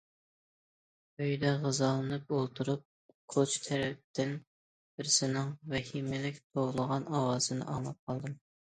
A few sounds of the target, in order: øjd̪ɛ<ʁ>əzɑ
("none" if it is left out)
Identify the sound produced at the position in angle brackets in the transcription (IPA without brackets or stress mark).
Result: ʁ